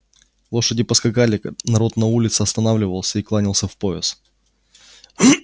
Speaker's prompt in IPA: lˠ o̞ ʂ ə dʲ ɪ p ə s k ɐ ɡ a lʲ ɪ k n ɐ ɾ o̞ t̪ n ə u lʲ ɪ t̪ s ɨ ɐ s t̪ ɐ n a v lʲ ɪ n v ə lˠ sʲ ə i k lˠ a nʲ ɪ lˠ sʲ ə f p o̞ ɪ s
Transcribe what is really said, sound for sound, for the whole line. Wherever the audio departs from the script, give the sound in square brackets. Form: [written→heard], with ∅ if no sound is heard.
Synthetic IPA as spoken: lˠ o̞ ʂ ə dʲ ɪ p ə s k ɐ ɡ a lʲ ɪ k n ɐ ɾ o̞ t̪ n [ə→ɐ] u lʲ ɪ t̪ s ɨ ɐ s t̪ ɐ n a v lʲ ɪ [n→∅] v ə lˠ sʲ ə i k lˠ a nʲ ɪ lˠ sʲ ə f p o̞ ɪ s